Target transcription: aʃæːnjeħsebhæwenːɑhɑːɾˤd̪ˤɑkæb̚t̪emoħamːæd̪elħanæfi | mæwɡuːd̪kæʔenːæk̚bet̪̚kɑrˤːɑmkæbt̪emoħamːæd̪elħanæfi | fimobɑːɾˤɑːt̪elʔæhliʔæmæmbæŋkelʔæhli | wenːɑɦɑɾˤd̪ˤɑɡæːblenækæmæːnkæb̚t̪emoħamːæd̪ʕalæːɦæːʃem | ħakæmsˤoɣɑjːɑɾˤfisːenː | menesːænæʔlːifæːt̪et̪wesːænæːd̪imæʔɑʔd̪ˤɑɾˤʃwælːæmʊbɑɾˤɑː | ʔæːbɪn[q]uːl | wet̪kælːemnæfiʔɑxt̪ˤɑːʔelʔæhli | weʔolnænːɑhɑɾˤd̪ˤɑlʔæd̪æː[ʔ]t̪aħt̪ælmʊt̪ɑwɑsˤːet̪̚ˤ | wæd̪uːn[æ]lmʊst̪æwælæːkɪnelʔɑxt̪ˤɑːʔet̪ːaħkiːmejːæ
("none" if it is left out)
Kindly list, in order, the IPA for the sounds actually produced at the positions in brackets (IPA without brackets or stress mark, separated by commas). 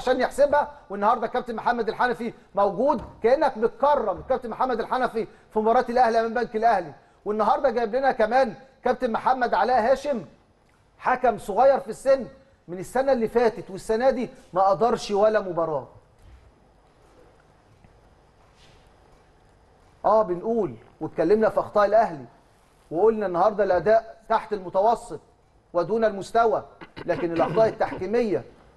ʔ, ʔ, æ